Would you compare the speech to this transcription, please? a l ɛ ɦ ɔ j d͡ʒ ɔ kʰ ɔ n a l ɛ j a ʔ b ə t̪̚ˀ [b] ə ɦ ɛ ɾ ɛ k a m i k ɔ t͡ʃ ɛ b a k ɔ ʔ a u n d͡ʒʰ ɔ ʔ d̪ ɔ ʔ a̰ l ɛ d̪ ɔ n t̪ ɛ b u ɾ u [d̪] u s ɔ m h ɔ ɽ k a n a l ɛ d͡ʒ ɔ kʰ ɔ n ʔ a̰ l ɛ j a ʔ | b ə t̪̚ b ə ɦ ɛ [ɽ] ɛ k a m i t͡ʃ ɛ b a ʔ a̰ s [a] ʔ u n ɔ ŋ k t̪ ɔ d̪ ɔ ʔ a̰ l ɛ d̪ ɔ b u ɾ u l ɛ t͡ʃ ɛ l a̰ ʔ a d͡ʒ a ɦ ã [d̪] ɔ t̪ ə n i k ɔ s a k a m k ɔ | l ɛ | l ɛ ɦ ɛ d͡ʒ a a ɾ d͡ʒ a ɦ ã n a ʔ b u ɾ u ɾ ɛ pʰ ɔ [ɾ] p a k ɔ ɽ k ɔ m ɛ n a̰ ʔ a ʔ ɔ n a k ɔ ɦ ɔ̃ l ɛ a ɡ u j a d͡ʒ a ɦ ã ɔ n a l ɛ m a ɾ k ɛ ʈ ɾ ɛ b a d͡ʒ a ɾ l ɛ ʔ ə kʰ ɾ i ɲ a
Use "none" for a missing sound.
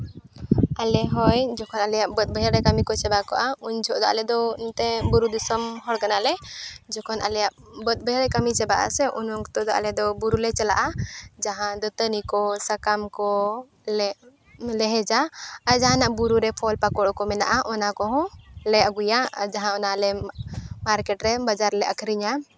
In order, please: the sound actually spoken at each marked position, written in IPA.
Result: b, d̪, ɾ, ɛ, d̪, l

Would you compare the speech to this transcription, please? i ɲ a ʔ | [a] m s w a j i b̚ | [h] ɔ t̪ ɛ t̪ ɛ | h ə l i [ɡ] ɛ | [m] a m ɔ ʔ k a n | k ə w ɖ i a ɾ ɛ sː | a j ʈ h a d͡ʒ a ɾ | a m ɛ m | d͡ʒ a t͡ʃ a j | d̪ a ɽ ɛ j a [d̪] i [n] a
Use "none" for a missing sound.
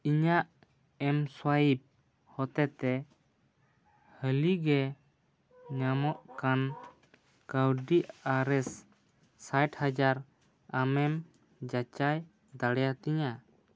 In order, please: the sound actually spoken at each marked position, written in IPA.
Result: ɛ, h, ɡ, ɲ, t̪, ɲ

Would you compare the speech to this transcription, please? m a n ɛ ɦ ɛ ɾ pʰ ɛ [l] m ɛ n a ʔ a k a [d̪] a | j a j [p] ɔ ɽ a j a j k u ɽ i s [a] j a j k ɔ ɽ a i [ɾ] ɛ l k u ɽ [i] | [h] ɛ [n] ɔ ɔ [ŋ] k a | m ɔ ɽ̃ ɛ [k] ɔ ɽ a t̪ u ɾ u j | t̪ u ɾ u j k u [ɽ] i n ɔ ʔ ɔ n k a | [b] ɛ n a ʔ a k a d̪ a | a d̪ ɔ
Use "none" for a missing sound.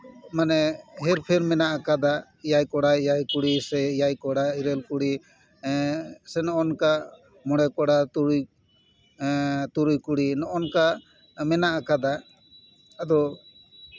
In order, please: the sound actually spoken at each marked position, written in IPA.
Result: ɾ, d̪, k, ɛ, ɾ, i, s, n, n, k, ɽ, m

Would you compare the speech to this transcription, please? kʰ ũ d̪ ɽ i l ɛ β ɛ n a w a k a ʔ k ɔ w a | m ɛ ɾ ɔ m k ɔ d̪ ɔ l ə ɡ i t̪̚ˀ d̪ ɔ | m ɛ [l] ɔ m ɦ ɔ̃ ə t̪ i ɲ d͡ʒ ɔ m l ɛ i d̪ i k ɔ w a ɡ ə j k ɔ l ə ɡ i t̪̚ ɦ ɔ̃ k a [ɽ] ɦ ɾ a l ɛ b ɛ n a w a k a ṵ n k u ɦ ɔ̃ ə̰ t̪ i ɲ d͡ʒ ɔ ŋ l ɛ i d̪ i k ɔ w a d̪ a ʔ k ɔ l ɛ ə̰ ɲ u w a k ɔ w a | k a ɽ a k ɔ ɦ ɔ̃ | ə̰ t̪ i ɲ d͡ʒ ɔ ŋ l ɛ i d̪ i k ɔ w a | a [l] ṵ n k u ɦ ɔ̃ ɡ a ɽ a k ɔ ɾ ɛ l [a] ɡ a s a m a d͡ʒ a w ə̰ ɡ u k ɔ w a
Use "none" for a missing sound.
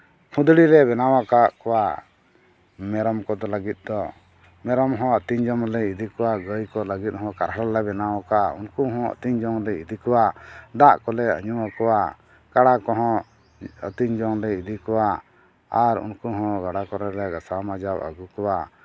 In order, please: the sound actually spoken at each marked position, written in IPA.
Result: ɾ, ɾ, ɾ, ɛ

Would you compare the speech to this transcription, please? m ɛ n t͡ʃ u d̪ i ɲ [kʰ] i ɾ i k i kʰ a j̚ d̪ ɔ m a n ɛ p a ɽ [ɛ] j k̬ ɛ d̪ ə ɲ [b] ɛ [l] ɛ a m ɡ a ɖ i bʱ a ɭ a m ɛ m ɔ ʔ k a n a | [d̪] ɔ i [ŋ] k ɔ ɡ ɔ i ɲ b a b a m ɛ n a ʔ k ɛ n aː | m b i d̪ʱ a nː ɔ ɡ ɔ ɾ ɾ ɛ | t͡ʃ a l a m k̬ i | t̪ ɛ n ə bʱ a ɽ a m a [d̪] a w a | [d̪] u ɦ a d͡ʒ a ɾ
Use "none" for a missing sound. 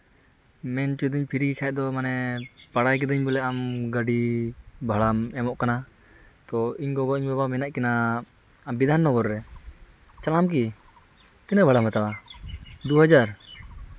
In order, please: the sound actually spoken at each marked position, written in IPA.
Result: pʰ, a, b, l, t̪, ɲ, t̪, d̪

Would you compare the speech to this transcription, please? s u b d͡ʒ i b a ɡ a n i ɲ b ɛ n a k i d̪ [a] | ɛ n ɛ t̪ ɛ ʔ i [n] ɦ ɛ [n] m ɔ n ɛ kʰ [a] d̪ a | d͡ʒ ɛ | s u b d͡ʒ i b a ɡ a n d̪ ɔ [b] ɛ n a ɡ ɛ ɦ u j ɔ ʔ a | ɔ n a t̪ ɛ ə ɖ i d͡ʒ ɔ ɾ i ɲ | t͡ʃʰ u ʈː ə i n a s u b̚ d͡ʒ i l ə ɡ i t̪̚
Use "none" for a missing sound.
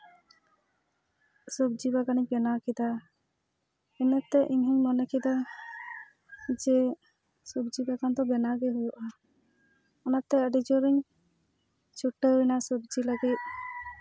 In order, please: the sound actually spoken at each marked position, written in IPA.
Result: a, ɲ, ɲ, i, b

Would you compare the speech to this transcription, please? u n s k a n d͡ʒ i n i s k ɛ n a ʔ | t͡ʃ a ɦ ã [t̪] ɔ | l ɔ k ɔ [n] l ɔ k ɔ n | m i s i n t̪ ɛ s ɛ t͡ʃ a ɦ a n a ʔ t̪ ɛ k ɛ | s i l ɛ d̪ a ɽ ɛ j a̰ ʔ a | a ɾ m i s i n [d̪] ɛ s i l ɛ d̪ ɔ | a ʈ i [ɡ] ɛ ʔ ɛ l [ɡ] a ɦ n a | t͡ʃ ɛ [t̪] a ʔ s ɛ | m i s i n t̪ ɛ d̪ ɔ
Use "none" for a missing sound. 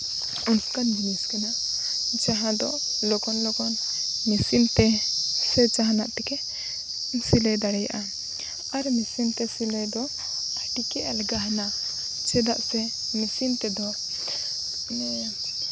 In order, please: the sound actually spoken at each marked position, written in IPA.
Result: d̪, n, t̪, k, ɡ, d̪

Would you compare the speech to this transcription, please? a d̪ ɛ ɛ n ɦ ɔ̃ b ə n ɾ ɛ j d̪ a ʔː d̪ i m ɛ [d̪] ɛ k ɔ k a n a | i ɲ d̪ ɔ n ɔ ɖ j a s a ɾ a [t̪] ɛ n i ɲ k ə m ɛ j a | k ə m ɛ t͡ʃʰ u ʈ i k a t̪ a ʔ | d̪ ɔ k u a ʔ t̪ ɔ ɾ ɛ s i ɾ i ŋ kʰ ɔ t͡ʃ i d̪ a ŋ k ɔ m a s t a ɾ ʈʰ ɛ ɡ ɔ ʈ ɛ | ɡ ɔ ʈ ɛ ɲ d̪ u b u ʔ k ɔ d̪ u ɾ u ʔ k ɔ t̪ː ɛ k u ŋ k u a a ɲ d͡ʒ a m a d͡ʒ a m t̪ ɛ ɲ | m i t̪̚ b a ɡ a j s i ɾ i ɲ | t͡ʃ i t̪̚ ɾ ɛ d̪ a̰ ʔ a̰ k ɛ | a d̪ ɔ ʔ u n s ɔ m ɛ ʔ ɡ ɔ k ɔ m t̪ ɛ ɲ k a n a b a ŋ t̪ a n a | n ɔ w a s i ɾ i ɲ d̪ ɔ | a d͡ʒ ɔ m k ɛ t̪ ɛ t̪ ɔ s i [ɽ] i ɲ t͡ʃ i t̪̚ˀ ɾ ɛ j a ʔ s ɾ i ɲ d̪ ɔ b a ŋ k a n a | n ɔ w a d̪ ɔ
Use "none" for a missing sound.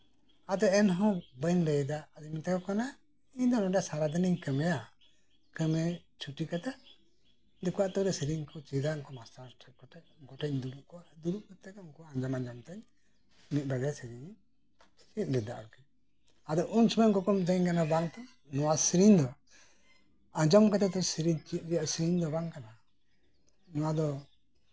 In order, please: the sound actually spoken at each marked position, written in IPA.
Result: t̪, d̪, ɾ

